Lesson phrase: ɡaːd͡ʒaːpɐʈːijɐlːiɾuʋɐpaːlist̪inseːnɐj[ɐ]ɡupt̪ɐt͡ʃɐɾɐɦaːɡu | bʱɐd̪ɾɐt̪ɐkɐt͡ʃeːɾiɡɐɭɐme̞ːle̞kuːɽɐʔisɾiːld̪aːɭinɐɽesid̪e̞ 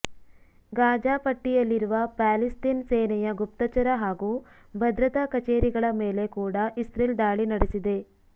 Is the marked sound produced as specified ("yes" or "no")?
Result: yes